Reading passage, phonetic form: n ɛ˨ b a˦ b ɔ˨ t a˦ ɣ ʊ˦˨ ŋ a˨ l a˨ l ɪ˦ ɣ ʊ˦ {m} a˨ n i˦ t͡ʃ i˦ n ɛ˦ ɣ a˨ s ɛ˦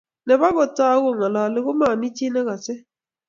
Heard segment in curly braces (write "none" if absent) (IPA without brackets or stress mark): m